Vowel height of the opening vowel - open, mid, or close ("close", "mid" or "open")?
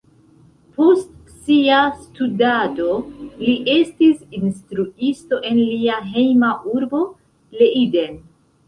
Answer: mid